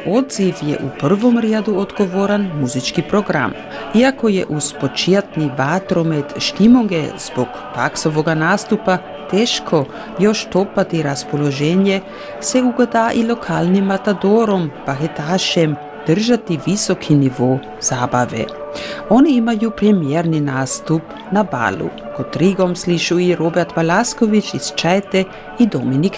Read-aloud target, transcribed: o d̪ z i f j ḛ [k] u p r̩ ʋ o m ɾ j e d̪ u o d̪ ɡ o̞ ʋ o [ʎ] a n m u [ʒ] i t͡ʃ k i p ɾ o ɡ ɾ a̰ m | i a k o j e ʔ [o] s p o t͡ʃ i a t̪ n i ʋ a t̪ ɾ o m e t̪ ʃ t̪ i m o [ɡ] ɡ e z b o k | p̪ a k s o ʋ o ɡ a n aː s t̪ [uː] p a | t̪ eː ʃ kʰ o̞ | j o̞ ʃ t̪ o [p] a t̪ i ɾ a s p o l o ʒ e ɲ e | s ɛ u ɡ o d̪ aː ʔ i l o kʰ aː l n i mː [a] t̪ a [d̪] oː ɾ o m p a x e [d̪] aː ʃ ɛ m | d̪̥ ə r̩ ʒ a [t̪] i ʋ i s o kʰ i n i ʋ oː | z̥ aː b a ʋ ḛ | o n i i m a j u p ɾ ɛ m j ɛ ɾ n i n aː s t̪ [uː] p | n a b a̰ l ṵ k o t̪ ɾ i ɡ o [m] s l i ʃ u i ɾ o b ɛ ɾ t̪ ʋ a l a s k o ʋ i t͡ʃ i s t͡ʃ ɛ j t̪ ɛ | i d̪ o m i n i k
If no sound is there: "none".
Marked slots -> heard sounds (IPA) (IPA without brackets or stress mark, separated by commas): ʔ, ɾ, z, u, ŋ, u, p, a, d̪, t̪, t̪, u, m